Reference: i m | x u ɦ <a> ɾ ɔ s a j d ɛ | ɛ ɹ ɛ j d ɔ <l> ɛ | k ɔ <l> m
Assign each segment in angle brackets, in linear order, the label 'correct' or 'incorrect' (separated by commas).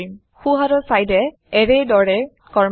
correct, incorrect, incorrect